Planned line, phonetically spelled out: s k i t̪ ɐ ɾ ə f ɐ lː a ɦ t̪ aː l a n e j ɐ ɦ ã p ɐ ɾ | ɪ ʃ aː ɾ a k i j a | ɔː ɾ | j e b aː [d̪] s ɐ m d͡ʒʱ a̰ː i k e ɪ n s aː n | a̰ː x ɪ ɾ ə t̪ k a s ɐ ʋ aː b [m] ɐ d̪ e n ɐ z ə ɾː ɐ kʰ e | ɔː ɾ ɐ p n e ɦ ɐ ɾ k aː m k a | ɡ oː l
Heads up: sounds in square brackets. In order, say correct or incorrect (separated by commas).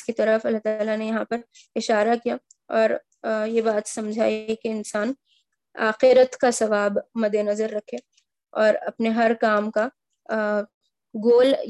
incorrect, correct